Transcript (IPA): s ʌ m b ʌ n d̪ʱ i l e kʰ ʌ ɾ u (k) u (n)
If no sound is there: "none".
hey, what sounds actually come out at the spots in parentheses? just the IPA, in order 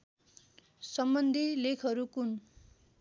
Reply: k, n

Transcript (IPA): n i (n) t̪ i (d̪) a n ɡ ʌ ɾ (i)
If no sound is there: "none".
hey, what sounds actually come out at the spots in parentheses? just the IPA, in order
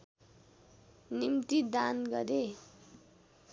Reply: m, d̪, e

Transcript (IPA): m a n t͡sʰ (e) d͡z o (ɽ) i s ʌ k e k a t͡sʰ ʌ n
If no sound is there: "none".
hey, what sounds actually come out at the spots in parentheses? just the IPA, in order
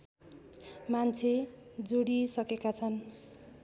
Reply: e, ɽ

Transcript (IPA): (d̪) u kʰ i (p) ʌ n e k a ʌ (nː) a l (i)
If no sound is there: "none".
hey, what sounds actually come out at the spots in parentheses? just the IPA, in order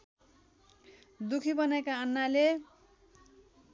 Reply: d̪, b, nː, e

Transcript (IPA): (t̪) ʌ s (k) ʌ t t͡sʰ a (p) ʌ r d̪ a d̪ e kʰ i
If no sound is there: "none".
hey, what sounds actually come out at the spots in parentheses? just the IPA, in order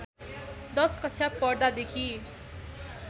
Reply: d̪, k, p

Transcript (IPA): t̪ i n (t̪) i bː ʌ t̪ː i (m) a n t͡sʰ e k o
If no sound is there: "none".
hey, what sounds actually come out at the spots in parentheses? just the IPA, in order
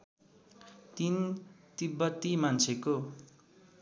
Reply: t̪, m

